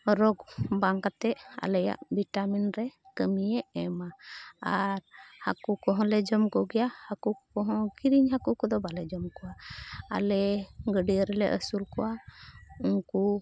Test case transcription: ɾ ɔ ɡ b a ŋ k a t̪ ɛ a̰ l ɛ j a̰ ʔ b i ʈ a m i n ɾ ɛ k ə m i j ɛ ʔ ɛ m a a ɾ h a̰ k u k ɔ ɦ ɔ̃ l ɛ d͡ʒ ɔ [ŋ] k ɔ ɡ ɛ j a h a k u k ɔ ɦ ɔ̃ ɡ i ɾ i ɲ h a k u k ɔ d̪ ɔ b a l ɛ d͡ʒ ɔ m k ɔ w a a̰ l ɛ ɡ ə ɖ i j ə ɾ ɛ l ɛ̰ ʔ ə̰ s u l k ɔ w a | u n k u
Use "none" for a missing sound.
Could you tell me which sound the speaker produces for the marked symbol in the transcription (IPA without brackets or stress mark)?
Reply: m